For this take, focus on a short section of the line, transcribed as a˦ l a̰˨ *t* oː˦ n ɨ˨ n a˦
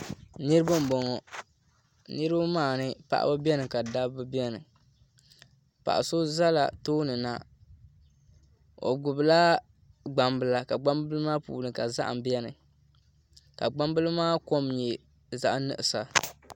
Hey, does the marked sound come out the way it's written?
yes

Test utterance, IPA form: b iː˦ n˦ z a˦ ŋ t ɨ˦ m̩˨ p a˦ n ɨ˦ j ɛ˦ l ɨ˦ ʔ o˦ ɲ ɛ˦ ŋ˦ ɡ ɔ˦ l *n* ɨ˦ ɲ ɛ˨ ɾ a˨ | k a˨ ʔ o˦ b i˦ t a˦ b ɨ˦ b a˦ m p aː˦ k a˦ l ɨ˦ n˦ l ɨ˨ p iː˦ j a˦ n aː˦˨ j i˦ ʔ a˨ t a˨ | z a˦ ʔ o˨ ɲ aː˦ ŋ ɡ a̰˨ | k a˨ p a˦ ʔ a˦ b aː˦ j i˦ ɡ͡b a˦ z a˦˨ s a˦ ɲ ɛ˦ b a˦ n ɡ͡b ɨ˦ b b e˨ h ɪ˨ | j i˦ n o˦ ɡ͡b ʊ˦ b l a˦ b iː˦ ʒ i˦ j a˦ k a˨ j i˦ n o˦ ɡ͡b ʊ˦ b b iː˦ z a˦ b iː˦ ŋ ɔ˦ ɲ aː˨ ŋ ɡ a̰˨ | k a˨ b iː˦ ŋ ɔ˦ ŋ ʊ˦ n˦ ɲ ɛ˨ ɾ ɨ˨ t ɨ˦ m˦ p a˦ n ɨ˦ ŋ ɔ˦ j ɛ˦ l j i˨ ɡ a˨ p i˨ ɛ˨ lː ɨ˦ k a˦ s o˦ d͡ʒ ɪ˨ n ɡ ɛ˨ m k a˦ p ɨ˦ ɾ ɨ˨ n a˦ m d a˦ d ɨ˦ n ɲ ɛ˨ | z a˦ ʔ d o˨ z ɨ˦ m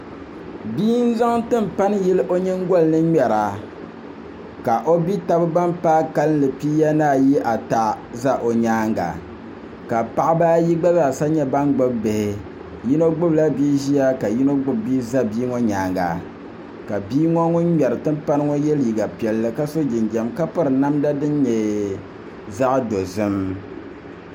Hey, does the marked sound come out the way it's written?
yes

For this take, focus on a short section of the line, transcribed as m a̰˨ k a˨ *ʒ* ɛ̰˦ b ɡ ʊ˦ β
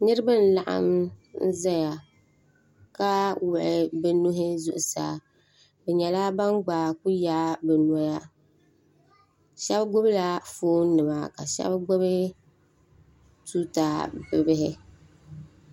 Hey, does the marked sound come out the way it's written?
no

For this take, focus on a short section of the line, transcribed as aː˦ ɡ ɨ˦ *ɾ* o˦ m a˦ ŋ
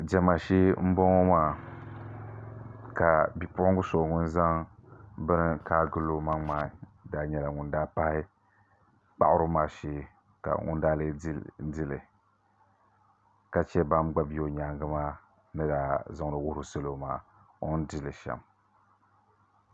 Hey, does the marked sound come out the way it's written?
no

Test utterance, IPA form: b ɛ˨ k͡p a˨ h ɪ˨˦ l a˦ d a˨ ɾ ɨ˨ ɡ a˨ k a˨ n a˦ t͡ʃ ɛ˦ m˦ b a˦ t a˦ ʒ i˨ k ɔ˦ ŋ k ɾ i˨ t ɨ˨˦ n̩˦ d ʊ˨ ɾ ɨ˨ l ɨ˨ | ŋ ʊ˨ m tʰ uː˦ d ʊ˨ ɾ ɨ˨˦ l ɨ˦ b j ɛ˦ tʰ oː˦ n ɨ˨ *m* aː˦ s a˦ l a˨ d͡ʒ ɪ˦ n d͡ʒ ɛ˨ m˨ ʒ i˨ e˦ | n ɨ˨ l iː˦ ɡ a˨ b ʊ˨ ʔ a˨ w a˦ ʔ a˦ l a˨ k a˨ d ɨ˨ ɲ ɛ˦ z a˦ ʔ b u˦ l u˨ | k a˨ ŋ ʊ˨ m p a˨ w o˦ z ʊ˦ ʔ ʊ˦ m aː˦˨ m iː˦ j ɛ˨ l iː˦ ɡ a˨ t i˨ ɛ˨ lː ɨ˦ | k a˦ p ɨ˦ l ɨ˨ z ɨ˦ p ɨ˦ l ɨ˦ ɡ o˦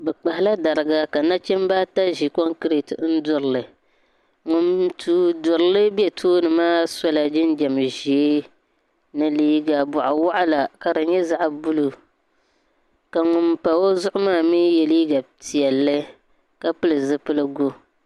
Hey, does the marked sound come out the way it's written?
yes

